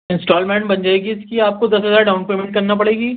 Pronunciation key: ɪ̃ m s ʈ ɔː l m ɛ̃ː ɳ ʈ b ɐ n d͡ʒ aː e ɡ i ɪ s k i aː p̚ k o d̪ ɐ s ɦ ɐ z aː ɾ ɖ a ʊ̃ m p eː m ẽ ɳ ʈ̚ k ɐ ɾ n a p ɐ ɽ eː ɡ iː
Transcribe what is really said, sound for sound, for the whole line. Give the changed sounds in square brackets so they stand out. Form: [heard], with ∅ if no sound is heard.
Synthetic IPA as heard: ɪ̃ [n] s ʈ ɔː l m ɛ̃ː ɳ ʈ b ɐ n d͡ʒ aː e ɡ i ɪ s k i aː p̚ k o d̪ ɐ s ɦ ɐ z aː ɾ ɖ a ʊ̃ [n] p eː m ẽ ɳ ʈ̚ k ɐ ɾ n a p ɐ ɽ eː ɡ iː